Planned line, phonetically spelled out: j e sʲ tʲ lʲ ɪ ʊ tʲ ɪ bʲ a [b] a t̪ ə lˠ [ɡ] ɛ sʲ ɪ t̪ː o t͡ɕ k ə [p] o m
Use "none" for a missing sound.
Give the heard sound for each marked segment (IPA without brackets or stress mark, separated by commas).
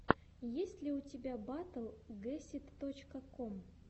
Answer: b, ɡ, k